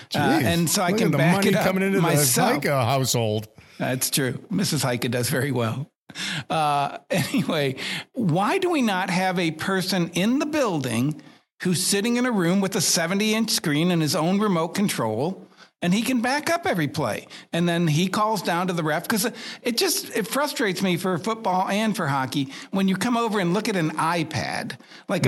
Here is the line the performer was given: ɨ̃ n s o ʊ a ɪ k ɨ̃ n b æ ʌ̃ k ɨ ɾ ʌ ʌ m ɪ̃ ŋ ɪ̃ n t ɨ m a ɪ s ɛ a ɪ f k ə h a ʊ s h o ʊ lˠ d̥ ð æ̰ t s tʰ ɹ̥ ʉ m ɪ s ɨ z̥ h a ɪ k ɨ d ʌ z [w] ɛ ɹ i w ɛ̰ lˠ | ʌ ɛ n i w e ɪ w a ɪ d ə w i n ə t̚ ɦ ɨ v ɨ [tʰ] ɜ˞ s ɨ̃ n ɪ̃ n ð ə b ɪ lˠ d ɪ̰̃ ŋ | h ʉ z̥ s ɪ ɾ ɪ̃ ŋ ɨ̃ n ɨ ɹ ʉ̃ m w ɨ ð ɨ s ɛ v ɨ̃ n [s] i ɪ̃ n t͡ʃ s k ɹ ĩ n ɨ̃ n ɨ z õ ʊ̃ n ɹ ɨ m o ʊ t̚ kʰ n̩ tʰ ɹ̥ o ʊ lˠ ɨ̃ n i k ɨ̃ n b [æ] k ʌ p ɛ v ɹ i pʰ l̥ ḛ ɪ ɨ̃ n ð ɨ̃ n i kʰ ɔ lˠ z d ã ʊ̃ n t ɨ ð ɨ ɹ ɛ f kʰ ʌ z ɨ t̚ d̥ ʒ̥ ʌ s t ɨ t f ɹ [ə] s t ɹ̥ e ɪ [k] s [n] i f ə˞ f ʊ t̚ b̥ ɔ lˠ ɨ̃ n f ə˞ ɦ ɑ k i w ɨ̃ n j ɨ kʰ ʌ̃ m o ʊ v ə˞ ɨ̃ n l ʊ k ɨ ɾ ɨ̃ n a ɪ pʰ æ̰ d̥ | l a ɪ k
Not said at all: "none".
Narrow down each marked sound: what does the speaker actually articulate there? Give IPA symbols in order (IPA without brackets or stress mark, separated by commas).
v, pʰ, t, æ, ʌ, t, m